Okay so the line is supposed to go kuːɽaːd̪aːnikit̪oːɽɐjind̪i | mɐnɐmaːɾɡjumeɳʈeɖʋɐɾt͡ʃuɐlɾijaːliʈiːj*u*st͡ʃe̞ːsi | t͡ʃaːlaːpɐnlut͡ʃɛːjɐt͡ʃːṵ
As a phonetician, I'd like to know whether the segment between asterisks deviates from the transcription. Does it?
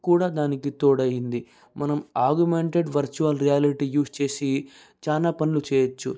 yes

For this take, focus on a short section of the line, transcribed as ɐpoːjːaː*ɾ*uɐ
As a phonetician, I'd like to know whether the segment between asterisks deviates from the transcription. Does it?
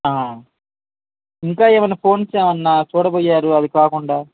no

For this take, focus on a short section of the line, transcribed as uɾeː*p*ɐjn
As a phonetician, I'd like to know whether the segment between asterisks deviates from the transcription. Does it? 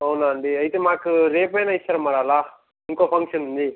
no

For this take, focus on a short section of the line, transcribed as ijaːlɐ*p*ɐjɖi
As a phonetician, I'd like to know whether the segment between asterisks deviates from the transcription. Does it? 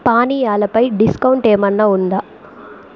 no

